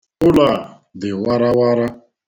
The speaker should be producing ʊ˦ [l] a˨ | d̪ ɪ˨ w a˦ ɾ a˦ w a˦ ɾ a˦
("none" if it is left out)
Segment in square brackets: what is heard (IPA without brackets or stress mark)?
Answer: l